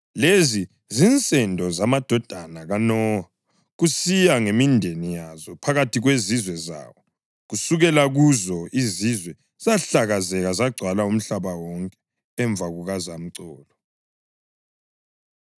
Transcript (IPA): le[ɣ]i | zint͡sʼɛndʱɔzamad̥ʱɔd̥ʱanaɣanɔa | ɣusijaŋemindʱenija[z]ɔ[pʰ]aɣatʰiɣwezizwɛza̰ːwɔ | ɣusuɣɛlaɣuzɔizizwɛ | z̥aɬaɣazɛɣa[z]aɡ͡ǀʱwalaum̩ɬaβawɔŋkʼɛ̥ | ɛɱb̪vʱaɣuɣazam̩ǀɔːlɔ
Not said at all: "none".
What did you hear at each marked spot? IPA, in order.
z, z, pʰ, z

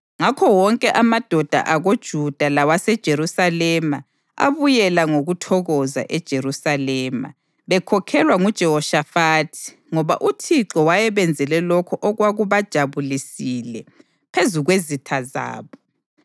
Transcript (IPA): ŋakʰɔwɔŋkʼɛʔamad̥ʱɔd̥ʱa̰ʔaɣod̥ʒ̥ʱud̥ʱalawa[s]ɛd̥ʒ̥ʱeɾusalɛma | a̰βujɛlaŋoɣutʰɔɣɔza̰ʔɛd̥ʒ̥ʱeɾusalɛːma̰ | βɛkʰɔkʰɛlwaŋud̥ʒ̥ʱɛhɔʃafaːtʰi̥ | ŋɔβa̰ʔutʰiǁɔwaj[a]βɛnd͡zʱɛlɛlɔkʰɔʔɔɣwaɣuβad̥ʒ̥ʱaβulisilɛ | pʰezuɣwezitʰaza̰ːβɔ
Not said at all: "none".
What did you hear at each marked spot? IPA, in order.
s, ɛ

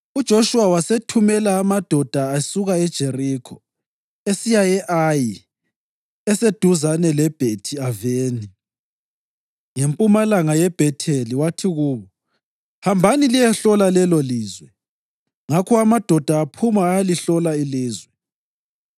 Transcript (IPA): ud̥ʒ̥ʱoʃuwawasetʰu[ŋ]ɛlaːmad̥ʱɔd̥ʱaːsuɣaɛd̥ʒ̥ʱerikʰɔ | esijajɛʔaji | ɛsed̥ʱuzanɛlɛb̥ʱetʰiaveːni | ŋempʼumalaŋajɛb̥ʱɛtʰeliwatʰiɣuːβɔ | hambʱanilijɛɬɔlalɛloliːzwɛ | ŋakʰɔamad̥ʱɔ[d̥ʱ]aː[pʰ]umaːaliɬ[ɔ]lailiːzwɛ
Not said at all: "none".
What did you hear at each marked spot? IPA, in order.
m, d̥ʱ, pʰ, ɔ

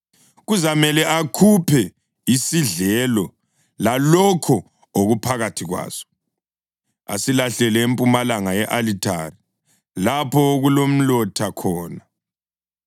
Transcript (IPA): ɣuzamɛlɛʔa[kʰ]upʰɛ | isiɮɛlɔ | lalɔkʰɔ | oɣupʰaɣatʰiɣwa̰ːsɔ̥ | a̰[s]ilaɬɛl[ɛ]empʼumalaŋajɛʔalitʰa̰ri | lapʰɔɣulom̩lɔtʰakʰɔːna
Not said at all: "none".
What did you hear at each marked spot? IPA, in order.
kʰ, s, ɛ

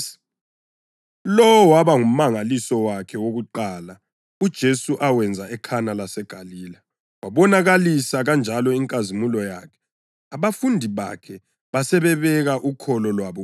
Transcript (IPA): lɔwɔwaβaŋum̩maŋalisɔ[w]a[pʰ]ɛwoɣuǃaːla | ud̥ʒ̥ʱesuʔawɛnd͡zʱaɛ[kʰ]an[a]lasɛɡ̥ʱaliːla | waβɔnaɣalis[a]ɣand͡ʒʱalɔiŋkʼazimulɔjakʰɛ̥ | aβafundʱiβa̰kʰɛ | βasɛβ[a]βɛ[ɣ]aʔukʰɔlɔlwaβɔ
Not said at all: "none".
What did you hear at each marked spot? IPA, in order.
w, kʰ, kʰ, a, a, ɛ, ɣ

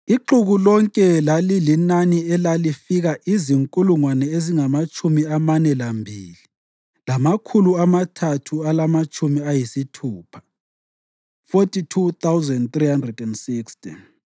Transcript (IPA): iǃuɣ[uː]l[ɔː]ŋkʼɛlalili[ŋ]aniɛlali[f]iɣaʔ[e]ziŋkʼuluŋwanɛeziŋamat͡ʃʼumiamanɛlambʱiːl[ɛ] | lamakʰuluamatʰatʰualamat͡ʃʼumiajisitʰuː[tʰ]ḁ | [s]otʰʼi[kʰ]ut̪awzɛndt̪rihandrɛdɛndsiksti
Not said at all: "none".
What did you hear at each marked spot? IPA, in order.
u, ɔ, n, f, i, i, pʰ, f, tʰ

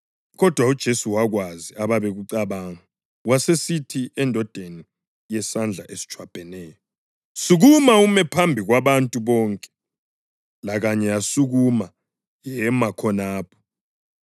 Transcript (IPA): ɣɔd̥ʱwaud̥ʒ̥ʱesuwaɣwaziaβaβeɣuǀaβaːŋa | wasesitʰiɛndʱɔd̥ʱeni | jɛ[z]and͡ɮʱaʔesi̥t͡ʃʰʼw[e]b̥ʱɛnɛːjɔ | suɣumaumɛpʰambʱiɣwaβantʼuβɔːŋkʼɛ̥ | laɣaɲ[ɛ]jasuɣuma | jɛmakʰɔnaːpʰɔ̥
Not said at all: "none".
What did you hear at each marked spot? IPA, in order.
s, a, ɛ

